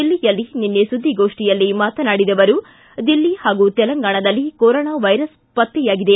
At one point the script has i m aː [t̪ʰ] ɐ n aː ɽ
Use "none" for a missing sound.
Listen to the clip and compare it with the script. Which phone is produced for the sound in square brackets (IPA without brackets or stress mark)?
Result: t̪